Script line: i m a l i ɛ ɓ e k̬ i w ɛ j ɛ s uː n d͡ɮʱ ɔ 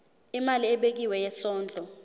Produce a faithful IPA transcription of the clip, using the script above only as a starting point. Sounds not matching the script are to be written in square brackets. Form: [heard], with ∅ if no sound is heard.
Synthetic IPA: i m a l i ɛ ɓ e k̬ i w ɛ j ɛ s [ɔː] n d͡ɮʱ ɔ